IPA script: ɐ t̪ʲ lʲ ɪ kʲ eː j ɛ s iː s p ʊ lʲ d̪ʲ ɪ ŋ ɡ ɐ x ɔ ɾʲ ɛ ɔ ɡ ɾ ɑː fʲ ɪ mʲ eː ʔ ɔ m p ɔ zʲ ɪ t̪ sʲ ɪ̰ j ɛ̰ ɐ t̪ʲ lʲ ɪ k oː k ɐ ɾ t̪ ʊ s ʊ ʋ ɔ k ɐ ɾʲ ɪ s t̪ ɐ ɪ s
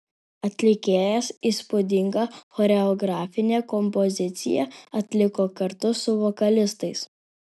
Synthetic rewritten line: ɐ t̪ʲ lʲ ɪ kʲ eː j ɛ s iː s p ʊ d̪ʲ ɪ ŋ ɡ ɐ x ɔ ɾʲ ɛ ɔ ɡ ɾ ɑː fʲ ɪ nʲ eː k ɔ m p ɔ zʲ ɪ t̪ sʲ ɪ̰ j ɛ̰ ɐ t̪ʲ lʲ ɪ k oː k ɐ ɾ t̪ ʊ s ʊ ʋ ɔ k ɐ lʲ ɪ s t̪ ɐ ɪ s